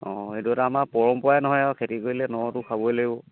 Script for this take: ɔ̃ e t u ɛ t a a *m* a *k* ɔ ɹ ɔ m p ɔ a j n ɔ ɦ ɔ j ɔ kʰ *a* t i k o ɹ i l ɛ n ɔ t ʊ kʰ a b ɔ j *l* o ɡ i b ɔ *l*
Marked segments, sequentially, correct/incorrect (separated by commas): correct, incorrect, incorrect, correct, incorrect